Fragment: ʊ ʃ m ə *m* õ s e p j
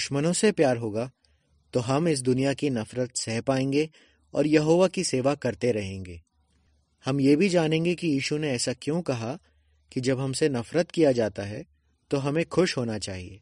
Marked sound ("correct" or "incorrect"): incorrect